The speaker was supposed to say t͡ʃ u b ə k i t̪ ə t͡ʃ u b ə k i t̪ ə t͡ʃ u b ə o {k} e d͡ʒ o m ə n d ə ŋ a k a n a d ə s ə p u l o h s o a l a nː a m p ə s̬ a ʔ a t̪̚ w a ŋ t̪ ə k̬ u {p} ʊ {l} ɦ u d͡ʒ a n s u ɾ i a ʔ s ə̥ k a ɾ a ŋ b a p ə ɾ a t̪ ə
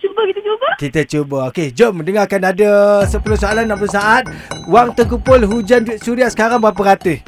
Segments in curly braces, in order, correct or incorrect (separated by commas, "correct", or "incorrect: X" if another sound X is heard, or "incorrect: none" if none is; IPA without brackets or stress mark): correct, correct, correct